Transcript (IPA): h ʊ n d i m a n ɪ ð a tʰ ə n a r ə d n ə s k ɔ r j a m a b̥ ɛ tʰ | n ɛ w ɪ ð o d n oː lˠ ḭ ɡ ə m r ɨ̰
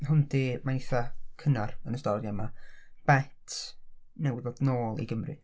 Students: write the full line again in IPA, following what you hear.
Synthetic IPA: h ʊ n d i m a n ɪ θ a kʰ ə n a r ə n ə s t ɔ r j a m a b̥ ɛ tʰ | n ɛ w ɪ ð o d n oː lˠ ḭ ɡ ə m r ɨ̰